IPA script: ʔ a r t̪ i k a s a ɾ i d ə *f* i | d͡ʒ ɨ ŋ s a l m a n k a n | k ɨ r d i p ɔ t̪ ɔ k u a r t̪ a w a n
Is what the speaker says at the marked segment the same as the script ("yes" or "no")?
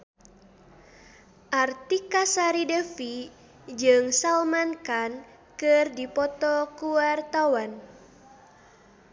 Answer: yes